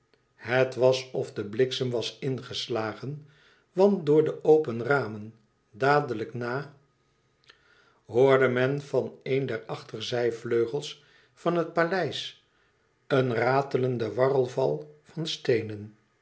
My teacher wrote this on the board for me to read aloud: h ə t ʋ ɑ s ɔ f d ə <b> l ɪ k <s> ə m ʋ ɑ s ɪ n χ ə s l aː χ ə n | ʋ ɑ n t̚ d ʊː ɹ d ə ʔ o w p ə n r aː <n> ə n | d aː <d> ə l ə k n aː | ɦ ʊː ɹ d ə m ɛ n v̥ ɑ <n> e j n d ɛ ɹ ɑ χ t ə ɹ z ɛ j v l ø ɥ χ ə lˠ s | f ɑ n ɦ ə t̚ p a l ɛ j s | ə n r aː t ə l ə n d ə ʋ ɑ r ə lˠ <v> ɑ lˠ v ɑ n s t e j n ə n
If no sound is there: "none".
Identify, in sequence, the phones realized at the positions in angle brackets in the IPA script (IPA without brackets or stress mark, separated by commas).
b, s, m, d, n, v